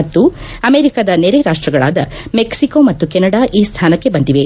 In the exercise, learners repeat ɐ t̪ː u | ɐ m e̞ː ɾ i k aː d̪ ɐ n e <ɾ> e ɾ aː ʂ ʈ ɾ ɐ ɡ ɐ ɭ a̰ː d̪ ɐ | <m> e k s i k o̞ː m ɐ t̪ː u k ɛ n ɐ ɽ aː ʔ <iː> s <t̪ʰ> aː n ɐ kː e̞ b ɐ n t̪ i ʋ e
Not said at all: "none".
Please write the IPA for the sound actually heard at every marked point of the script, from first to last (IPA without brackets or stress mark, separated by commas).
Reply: ɾ, m, iː, t̪ʰ